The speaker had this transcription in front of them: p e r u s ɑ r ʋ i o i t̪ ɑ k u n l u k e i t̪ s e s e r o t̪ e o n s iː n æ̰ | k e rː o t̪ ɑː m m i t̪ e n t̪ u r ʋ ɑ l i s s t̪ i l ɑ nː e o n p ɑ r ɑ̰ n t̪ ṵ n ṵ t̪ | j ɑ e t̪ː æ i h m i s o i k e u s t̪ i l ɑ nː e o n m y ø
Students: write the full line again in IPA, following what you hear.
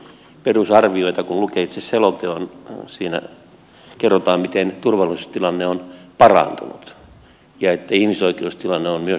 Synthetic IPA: p e r u s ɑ r ʋ i o i t̪ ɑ k u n l u k e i t̪ s e s e l o t̪ e o n s iː n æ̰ | k e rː o t̪ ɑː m m i t̪ e n t̪ u r ʋ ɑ l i s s t̪ i l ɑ nː e o n p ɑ r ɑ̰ n t̪ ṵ n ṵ t̪ | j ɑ e t̪ː æ i h m i s o i k e u s t̪ i l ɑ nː e o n m y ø